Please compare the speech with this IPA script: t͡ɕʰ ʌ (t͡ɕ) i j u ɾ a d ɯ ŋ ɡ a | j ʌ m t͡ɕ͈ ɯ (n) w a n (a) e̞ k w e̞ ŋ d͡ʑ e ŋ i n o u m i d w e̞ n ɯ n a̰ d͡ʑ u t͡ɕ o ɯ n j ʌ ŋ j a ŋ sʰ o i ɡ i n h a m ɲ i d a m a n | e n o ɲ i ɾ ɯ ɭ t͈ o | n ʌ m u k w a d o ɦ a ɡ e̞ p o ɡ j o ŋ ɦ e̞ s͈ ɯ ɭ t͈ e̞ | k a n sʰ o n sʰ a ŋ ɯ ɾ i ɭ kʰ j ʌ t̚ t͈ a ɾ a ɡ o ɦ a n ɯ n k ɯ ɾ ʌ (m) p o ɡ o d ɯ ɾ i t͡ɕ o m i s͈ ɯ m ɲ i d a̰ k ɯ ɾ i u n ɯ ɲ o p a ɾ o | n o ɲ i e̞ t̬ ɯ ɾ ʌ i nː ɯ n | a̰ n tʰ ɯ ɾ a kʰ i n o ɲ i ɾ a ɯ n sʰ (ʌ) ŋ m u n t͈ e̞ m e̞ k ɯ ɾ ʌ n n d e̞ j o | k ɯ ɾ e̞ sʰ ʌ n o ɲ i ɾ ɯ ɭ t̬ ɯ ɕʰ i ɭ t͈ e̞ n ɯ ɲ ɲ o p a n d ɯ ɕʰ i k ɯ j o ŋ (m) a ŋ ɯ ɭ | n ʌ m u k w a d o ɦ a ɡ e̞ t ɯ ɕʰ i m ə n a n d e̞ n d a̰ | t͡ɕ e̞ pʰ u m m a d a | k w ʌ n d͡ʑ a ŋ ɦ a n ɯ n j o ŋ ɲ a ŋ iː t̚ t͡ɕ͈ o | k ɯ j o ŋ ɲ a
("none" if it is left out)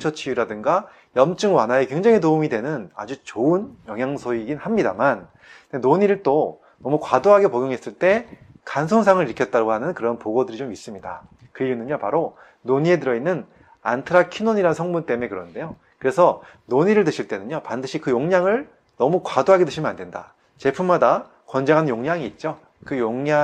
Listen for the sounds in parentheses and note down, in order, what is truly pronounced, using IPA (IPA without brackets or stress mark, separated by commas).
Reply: t͡ɕʰ, ŋ, a, n, ʌ, ɲ